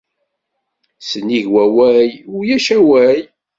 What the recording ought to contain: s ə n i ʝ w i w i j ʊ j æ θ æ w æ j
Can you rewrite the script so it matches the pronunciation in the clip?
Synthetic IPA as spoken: s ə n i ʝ w æ w æ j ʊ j æ ʃ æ w æ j